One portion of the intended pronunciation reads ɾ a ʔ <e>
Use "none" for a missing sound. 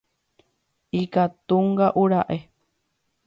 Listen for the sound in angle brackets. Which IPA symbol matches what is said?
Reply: e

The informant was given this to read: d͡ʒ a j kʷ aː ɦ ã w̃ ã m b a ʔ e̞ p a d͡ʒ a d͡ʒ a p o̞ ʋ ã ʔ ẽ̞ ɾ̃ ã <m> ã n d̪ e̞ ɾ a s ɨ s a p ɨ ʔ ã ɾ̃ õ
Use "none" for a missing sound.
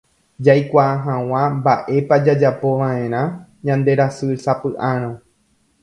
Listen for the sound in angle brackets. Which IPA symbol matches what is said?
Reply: ɲ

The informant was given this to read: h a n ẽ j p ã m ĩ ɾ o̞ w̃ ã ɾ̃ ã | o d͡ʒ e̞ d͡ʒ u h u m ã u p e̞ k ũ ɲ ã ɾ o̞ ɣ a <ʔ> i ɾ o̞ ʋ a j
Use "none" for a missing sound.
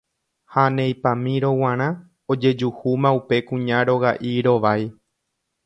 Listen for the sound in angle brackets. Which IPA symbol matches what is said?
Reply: ʔ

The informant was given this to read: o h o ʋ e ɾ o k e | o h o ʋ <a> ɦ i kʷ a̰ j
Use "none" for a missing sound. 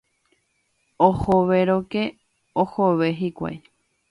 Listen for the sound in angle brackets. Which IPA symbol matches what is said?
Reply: e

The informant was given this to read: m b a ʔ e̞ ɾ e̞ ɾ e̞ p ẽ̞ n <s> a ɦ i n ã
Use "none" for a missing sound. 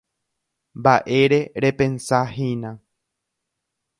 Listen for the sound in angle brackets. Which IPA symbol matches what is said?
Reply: s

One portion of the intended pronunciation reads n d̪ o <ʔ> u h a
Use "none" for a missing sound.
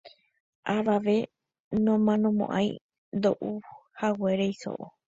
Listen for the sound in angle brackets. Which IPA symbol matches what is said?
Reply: ʔ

